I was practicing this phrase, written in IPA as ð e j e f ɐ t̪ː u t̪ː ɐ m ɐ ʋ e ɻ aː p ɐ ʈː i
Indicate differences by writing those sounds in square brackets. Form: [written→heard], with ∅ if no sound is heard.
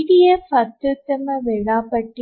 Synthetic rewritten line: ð [e→i] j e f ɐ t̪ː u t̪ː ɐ m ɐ ʋ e ɻ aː p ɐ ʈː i